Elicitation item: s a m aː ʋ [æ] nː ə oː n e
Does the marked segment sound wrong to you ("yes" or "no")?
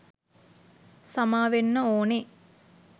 yes